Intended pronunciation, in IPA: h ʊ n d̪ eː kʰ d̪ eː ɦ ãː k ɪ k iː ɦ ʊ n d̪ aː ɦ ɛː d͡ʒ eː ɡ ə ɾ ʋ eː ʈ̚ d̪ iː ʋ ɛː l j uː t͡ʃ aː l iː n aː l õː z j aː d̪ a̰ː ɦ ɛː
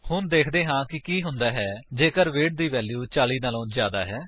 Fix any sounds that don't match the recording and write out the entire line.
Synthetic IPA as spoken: h ʊ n d̪ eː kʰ d̪ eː ɦ ãː k ɪ k iː ɦ ʊ n d̪ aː ɦ ɛː d͡ʒ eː k ə ɾ ʋ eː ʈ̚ d̪ iː ʋ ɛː l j uː t͡ʃ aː l iː n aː l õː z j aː d̪ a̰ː ɦ ɛː